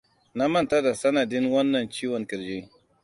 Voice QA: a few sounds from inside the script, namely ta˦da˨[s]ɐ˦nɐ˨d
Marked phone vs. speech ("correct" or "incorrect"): correct